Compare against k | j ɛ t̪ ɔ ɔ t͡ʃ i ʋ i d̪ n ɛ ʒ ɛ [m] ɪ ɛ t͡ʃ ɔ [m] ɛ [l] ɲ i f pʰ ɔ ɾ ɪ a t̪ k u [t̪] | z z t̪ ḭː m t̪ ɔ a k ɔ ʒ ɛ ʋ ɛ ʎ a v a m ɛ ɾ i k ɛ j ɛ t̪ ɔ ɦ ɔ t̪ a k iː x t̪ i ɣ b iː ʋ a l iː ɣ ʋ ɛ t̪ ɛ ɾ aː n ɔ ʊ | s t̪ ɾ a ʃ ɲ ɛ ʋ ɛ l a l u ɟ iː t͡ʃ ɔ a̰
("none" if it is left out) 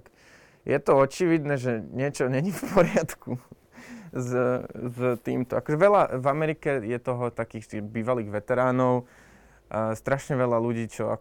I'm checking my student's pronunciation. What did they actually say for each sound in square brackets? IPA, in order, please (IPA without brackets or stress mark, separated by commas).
ɲ, ɲ, none, none